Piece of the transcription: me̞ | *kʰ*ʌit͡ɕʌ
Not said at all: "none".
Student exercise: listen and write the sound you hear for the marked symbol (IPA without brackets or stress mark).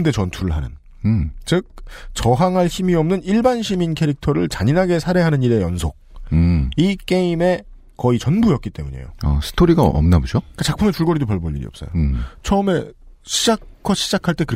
k